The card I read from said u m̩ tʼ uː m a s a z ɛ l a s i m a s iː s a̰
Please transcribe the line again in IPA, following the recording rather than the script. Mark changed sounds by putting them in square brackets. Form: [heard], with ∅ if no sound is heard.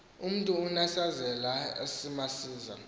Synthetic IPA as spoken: u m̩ tʼ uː [n] a s a z ɛ l a s i m a s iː [z] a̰